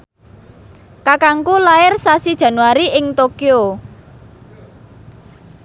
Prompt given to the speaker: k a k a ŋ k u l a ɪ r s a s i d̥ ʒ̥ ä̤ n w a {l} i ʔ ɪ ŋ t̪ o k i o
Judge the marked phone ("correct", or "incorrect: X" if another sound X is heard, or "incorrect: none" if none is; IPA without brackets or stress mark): incorrect: ɾ